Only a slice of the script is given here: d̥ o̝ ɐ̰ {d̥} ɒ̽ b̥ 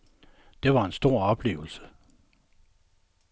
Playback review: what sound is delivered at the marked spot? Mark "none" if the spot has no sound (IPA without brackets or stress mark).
none